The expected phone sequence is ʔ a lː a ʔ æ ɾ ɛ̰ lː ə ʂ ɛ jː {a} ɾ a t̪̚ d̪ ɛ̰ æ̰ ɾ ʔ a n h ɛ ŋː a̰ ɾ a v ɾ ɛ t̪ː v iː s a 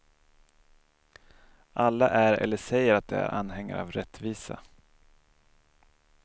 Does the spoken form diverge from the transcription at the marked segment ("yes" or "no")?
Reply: yes